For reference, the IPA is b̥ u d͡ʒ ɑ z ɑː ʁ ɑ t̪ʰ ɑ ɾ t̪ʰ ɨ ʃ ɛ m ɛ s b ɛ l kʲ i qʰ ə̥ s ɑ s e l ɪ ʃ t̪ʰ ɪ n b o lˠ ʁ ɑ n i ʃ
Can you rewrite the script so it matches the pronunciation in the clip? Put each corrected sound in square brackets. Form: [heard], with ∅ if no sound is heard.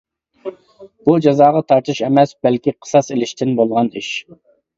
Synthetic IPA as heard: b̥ u d͡ʒ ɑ z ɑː ʁ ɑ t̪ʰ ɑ ɾ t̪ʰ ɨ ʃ ɛ m ɛ s b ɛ l kʲ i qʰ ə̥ s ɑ s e l ɪ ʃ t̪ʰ ɪ n b o lˠ ʁ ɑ n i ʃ